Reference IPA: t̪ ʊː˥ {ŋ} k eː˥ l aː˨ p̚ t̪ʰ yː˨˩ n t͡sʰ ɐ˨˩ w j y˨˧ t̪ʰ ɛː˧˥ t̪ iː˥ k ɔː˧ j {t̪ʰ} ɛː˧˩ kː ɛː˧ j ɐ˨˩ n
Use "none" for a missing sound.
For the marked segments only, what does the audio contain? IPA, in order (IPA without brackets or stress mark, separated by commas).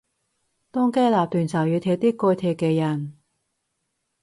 ŋ, t̪ʰ